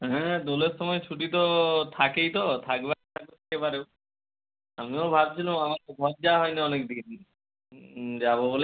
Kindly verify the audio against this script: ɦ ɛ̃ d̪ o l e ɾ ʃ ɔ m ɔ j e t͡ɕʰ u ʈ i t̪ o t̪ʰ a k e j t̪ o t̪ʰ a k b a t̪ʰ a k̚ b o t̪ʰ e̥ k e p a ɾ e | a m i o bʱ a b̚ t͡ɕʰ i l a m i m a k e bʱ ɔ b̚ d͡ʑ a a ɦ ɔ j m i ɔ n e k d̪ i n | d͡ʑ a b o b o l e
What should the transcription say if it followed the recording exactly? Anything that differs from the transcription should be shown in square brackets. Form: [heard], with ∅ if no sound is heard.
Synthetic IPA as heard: ɦ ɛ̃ d̪ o l e ɾ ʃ ɔ m ɔ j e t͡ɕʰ u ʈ i t̪ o t̪ʰ a k e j t̪ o t̪ʰ a k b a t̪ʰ a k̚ b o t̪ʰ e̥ k e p a ɾ e | a m i o bʱ a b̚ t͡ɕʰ i l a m [a] m a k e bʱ ɔ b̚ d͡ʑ a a ɦ ɔ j [n] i ɔ n e k d̪ i n | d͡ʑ a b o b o l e

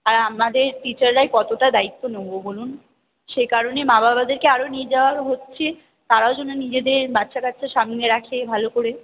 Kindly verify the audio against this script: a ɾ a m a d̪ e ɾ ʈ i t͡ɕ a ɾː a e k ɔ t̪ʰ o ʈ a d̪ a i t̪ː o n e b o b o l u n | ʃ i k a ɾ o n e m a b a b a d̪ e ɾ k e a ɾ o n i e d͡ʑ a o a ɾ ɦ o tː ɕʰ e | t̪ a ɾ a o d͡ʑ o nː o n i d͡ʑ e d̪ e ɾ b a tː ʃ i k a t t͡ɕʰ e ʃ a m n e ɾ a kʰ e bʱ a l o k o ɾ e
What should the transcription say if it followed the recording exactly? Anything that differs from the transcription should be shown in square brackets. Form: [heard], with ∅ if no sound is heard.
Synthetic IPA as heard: a ɾ a m a d̪ e ɾ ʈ i t͡ɕ a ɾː a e k ɔ [t̪] o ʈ a d̪ a i t̪ː o n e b o b o l u n | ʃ [e] k a ɾ o n e m a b a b a d̪ e ɾ k e a ɾ o n i e d͡ʑ a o a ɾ ɦ o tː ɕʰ e | t̪ a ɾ a o d͡ʑ o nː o n i d͡ʑ e d̪ e ɾ b a tː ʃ [a] k a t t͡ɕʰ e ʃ a m n e ɾ a kʰ e bʱ a l o k o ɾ e

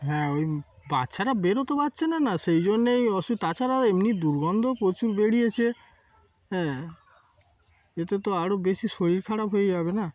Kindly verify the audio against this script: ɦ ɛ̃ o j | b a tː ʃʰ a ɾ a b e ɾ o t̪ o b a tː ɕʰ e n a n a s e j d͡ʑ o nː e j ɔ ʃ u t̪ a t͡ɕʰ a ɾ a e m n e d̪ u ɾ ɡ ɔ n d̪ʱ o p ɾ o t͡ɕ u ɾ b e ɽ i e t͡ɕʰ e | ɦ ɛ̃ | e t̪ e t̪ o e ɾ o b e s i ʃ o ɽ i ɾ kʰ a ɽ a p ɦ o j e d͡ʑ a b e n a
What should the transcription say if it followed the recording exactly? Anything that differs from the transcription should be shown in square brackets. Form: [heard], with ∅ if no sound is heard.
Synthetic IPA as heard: ɦ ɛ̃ o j | b a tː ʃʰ a ɾ a b e ɾ o t̪ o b a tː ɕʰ e n a n a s e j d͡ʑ o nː e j ɔ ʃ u t̪ a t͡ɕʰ a ɾ a e m n [i] d̪ u ɾ ɡ ɔ n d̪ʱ o p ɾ o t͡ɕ u ɾ b e ɽ i e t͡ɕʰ e | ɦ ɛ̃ | e t̪ e t̪ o [a] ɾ o b e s i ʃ o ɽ i ɾ kʰ a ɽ a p ɦ o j e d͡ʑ a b e n a

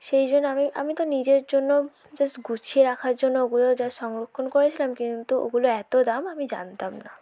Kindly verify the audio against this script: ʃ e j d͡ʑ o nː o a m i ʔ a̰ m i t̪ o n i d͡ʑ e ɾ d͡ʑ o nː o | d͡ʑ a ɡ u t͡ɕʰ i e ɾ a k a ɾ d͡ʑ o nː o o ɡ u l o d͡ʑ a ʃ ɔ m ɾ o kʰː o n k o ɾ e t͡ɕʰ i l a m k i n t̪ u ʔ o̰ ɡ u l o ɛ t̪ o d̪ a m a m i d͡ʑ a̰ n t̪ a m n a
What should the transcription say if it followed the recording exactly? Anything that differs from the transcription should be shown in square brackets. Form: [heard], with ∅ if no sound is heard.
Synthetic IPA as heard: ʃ e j d͡ʑ o nː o a m i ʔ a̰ m i t̪ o n i d͡ʑ e ɾ d͡ʑ o nː o | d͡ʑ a ɡ u t͡ɕʰ i e ɾ a [kʰ] a ɾ d͡ʑ o nː o o ɡ u l o d͡ʑ a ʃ ɔ [ŋ] ɾ o kʰː o n k o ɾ e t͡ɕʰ i l a m k i n t̪ u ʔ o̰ ɡ u l o ɛ t̪ o d̪ a m a m i d͡ʑ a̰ n t̪ a m n a

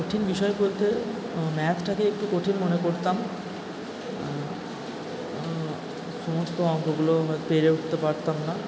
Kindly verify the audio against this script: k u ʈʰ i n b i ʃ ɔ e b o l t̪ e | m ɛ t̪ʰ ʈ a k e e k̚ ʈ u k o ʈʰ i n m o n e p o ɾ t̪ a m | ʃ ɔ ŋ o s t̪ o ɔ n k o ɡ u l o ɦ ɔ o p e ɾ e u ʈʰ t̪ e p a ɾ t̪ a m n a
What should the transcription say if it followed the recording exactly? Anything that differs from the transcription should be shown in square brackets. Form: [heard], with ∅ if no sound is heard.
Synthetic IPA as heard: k [o] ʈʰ i n b i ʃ ɔ e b o l t̪ e | m ɛ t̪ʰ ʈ a k e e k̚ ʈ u k o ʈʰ i n m o n e [k] o ɾ t̪ a m | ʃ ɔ [m] o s t̪ o ɔ [ŋ] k o ɡ u l o ɦ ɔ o p e ɾ e u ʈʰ t̪ e p a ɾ t̪ a m n a

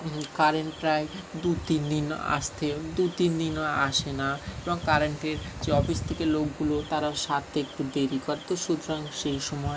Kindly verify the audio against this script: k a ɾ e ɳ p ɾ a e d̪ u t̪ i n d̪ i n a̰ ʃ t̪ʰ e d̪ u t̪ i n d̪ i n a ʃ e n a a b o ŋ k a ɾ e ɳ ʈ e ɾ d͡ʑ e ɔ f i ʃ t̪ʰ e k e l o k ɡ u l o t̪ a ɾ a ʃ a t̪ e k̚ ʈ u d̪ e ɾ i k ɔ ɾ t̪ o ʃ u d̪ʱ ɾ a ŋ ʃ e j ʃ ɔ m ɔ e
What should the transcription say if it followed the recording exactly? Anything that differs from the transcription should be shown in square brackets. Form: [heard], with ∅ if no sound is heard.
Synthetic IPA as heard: k a ɾ e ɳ p ɾ a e d̪ u t̪ i n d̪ i n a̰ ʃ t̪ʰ e d̪ u t̪ i n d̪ i n a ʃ e n a [e] b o ŋ k a ɾ e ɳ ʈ e ɾ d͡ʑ e ɔ f i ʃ t̪ʰ e k e l o k ɡ u l o t̪ a ɾ a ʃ a t̪ e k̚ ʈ u d̪ e ɾ i k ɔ ɾ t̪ o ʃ u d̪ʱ ɾ a ŋ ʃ e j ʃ ɔ m ɔ e

